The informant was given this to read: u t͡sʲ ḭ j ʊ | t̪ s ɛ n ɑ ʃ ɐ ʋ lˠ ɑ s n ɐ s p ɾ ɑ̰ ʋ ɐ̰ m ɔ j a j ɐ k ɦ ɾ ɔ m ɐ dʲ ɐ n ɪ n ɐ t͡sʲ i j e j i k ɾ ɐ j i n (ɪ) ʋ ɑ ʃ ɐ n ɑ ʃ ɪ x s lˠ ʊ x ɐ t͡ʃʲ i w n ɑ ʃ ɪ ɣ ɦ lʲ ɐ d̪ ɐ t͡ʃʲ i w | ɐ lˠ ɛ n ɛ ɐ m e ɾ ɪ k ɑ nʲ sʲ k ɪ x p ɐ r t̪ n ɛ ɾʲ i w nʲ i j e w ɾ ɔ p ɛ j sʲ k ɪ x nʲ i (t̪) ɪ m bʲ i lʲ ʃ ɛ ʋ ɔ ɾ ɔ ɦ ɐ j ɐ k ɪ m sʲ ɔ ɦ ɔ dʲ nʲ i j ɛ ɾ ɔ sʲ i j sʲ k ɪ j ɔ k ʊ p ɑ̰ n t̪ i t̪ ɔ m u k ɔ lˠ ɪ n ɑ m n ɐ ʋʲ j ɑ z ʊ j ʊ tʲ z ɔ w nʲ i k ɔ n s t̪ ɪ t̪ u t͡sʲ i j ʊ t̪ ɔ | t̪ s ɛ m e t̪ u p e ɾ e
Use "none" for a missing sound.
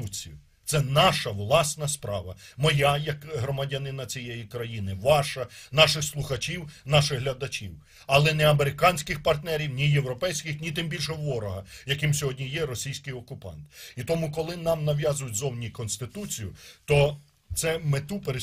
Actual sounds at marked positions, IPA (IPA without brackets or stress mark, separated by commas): ɪ, t̪